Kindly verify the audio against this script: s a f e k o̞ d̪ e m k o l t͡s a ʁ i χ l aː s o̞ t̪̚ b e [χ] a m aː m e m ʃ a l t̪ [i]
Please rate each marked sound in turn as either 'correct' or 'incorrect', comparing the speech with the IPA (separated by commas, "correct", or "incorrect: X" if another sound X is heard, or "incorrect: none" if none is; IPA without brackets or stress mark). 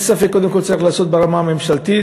incorrect: ʁ, correct